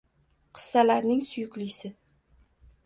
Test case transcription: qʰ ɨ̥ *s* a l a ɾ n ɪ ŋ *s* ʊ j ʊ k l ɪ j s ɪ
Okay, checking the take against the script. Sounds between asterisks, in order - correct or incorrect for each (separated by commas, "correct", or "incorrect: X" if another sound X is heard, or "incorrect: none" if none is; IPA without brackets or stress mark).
incorrect: sː, correct